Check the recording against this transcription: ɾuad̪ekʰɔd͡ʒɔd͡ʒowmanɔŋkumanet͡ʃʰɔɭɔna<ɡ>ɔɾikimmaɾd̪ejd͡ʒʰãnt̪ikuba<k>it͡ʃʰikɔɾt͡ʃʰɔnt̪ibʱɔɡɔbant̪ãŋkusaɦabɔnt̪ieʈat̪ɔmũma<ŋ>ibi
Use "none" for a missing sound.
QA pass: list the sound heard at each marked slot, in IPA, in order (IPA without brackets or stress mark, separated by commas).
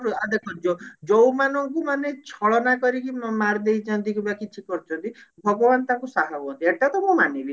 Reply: k, k, n